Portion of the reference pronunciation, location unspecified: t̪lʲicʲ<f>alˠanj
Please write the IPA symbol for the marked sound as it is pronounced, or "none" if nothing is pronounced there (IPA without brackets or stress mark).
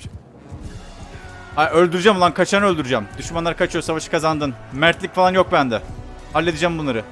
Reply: f